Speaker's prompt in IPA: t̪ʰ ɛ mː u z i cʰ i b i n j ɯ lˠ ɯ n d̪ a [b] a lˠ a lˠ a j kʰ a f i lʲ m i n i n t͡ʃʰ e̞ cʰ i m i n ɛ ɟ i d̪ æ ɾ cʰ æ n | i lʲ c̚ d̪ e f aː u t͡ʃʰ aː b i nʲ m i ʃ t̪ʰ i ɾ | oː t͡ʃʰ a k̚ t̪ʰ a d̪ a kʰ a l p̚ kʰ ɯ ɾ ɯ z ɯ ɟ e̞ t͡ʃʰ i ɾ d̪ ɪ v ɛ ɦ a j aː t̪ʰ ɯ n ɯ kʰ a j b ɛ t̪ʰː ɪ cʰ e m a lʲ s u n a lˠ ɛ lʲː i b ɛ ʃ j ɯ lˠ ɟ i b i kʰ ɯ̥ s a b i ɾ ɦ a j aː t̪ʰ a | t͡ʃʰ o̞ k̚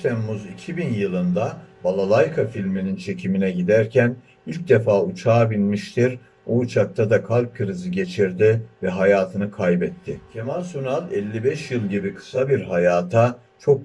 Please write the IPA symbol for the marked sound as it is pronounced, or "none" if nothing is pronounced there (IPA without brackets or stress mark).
b